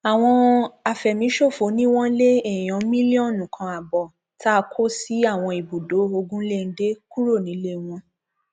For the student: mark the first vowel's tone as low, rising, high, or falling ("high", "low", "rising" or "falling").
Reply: low